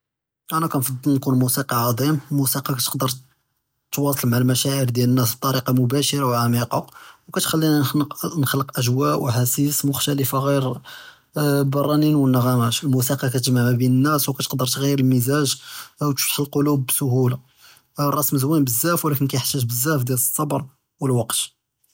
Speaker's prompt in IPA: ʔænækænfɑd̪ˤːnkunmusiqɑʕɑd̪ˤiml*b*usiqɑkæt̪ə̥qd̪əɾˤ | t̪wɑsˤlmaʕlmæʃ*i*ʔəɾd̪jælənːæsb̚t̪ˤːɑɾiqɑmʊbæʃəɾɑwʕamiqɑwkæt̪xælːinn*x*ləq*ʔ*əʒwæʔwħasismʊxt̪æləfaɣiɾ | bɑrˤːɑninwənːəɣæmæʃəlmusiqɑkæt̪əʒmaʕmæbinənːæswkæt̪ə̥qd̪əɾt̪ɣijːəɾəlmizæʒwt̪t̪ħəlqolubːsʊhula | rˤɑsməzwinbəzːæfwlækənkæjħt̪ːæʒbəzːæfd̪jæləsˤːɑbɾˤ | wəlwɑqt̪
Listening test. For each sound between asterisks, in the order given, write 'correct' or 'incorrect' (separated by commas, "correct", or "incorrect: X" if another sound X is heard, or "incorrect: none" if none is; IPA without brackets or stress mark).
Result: incorrect: m, incorrect: æ, correct, correct